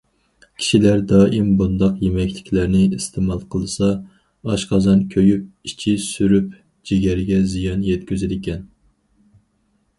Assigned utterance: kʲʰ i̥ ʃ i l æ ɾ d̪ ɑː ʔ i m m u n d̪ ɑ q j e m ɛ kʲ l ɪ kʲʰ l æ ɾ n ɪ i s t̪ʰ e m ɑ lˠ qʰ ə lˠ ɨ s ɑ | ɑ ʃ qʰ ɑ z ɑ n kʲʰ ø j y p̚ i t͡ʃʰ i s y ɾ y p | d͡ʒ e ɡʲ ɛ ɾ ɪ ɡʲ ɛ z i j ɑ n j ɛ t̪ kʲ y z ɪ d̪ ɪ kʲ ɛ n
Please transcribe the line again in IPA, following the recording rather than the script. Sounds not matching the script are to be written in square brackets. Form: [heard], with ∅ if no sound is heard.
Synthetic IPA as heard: kʲʰ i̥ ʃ i l æ ɾ d̪ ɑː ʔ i m [b] u n d̪ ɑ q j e m ɛ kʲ l ɪ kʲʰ l æ ɾ n ɪ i s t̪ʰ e m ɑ lˠ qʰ ə lˠ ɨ s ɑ | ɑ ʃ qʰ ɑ z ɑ n kʲʰ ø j y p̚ i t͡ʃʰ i s y ɾ y p | d͡ʒ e ɡʲ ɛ ɾ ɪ ɡʲ ɛ z i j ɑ n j ɛ t̪ kʲ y z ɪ d̪ ɪ kʲ ɛ n